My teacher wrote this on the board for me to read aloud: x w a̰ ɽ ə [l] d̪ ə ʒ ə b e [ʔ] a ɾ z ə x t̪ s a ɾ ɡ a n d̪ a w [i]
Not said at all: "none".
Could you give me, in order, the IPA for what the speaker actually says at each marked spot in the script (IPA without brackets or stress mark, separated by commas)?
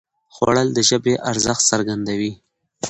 l, ʔ, i